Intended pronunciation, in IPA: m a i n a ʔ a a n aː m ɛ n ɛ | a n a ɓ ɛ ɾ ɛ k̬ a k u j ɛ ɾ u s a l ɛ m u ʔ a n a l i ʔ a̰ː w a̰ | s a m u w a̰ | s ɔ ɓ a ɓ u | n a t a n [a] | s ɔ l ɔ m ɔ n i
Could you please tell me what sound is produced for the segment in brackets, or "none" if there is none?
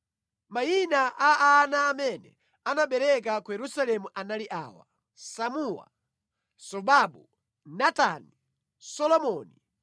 i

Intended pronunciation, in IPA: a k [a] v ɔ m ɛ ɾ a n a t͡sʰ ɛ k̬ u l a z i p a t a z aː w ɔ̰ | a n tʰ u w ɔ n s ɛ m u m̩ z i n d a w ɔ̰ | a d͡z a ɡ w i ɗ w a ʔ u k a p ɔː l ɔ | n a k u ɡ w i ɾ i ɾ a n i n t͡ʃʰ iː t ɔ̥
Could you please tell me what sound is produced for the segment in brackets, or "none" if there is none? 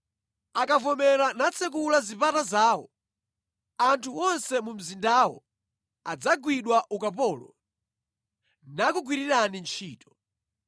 a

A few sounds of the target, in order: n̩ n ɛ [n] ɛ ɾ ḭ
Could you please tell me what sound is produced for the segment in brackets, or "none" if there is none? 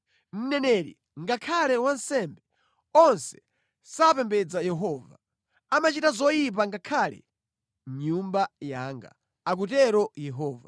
n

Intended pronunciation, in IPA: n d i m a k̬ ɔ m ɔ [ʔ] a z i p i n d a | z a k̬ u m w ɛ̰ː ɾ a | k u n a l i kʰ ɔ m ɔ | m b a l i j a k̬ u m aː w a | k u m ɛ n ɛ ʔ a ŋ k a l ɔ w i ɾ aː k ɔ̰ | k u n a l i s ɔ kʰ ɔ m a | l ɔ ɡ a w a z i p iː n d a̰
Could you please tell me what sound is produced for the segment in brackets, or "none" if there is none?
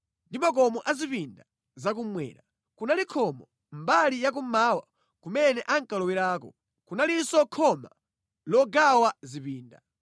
ʔ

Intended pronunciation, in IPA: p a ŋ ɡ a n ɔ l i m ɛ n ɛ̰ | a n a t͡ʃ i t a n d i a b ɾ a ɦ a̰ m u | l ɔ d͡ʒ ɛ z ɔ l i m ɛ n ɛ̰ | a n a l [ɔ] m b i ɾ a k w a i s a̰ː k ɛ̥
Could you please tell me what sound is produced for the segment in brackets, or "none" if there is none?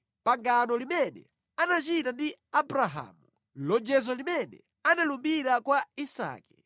u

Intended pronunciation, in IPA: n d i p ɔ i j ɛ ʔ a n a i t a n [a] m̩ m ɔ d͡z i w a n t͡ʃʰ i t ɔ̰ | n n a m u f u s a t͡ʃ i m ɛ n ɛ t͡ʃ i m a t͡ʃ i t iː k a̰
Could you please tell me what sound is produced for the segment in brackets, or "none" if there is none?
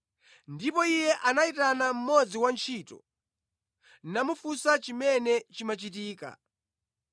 a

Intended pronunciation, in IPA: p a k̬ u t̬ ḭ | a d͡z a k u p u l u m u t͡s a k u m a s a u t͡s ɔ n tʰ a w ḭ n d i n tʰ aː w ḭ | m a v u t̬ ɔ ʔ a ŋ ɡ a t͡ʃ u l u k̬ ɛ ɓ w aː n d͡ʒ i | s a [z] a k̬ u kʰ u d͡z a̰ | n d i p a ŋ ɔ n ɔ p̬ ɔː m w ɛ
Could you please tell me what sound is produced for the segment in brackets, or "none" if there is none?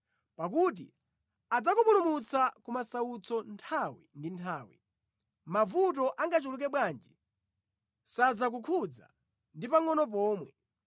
d͡z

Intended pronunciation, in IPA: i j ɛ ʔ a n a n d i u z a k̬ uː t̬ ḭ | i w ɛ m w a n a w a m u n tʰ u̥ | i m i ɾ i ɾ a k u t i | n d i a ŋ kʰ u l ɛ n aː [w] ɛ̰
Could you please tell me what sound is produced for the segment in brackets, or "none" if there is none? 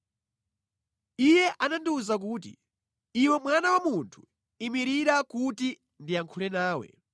w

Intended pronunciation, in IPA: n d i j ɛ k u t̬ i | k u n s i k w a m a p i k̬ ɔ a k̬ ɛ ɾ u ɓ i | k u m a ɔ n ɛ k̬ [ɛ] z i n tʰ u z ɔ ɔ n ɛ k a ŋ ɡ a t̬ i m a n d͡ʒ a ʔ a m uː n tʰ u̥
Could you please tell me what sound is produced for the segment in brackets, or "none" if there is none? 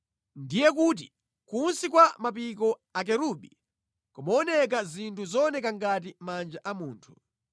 a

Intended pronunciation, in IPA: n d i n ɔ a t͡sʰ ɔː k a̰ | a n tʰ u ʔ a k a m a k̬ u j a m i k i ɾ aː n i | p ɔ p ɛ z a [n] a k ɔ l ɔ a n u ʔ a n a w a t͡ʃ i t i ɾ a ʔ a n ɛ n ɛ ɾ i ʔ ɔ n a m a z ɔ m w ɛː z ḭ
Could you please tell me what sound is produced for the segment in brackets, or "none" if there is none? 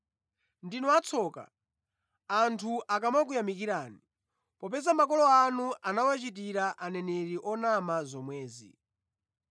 m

